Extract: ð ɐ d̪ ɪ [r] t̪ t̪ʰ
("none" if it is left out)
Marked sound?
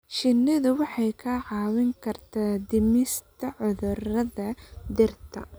r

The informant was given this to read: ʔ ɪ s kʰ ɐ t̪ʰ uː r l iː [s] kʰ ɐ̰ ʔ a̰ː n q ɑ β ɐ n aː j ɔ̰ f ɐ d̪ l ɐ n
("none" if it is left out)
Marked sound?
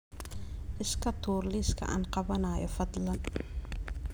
s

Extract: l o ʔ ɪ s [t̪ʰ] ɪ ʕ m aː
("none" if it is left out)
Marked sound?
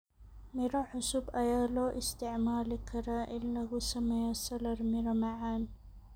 t̪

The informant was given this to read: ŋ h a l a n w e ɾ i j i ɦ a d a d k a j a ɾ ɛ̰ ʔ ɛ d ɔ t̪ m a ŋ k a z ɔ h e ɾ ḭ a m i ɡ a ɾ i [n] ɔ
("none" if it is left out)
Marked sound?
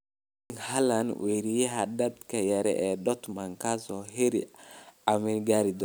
d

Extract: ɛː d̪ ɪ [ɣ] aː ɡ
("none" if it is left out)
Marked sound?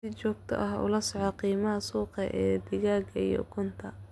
ɣ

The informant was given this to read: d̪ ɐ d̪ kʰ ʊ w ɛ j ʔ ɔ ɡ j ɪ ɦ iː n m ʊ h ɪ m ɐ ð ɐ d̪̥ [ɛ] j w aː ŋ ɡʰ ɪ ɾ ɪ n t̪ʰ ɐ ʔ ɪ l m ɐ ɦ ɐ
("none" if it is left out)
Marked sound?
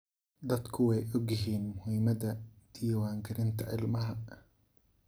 i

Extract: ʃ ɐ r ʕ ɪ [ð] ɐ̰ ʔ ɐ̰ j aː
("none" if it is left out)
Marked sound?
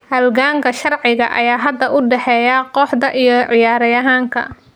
ɣ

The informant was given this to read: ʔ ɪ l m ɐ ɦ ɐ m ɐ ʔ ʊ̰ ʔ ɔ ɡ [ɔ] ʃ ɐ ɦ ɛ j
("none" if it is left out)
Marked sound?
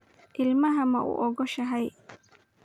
ɔ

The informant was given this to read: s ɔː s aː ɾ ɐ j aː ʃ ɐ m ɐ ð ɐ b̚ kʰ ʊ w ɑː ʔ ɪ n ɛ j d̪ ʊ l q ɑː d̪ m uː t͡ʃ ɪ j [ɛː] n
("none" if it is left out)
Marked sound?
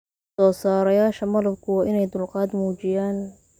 aː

